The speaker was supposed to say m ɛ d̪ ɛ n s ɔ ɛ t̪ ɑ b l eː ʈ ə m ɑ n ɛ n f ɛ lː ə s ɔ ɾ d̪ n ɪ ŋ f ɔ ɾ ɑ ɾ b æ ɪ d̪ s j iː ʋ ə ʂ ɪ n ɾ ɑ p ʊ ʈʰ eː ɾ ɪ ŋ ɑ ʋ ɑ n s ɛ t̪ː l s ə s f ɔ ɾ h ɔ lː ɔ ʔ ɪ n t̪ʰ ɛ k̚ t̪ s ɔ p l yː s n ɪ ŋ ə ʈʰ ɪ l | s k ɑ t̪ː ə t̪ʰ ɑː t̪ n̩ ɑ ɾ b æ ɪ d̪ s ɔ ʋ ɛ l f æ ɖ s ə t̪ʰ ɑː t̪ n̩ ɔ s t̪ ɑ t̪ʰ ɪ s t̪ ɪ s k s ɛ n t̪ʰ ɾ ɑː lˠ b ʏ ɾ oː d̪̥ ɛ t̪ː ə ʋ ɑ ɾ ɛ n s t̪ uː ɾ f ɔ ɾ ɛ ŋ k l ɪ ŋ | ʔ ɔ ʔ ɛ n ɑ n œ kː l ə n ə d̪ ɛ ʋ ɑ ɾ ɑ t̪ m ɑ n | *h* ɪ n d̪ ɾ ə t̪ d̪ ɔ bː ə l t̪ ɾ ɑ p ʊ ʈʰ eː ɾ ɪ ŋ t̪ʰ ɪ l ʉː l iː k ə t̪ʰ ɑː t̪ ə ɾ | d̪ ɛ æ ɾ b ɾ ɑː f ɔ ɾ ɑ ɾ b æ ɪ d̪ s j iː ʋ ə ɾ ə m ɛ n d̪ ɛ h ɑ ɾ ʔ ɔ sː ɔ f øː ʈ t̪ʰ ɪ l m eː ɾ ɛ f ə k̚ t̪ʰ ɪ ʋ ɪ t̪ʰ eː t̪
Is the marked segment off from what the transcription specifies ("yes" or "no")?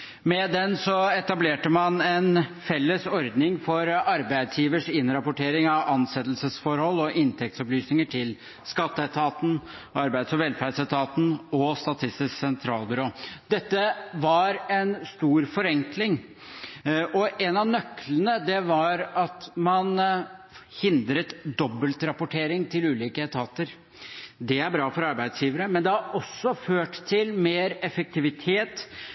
no